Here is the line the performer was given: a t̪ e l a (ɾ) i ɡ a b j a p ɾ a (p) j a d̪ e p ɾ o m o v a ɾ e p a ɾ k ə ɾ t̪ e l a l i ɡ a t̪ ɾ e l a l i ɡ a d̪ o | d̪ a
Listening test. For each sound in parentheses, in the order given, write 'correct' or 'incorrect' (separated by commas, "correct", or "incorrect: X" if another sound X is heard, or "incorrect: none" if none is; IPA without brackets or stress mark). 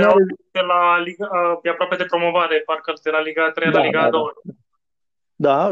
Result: incorrect: l, correct